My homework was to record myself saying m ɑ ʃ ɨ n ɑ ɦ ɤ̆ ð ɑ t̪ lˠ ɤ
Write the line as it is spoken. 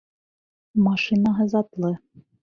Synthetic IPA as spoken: m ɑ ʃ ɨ n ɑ ɦ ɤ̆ z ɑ t̪ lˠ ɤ